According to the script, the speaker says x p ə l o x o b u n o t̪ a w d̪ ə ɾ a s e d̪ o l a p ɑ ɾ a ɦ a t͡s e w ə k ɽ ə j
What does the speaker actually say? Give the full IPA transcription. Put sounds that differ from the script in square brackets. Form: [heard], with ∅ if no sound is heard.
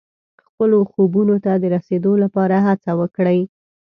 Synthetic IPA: x p ə l o x o b u n o t̪ a [∅] d̪ ə ɾ a s e d̪ o l a p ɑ ɾ a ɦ a t͡s [a] w ə k ɽ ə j